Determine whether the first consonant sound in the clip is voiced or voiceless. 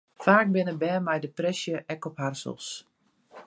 voiceless